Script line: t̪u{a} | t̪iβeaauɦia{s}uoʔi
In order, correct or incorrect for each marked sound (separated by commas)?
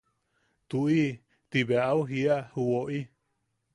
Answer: incorrect, incorrect